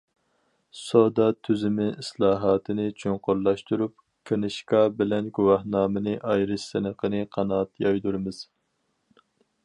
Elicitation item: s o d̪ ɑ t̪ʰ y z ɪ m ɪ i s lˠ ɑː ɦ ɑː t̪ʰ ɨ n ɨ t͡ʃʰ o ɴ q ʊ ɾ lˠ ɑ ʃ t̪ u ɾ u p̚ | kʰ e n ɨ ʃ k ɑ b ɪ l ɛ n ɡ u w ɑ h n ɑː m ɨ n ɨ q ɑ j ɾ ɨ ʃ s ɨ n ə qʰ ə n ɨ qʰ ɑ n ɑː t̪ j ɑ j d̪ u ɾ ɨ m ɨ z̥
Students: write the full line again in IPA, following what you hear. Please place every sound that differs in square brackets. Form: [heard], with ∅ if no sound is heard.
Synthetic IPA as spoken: s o d̪ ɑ t̪ʰ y z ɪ m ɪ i s lˠ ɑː ɦ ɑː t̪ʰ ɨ n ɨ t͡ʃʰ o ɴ q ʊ ɾ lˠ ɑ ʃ t̪ u ɾ u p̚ | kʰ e n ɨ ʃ k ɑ b ɪ l ɛ n ɡ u w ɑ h n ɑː m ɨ n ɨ [ʔ] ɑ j ɾ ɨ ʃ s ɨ n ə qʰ ə n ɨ qʰ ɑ n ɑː t̪ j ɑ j d̪ u ɾ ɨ m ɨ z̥